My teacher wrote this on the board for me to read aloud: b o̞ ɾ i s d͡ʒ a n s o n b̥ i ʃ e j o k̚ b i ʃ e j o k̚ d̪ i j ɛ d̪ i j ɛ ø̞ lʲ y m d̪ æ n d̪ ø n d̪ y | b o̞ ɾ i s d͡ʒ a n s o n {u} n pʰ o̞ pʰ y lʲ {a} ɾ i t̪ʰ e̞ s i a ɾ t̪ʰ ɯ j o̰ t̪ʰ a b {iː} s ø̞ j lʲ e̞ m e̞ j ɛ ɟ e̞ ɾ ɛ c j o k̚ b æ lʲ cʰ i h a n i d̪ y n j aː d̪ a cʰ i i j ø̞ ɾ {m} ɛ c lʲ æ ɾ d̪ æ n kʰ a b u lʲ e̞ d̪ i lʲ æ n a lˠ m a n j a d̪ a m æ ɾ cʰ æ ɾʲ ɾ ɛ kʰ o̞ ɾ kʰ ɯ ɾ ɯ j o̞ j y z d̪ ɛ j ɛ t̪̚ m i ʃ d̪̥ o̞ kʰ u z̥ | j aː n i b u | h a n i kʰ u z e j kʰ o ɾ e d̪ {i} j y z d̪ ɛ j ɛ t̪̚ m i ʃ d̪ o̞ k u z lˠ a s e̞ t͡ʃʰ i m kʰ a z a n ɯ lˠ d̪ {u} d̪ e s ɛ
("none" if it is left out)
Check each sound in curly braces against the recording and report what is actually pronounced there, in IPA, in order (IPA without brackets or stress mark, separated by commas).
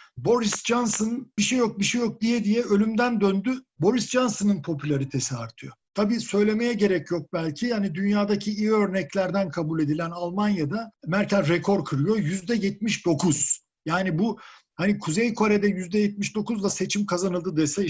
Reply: ɯ, a, iː, n, ɛ, ɯ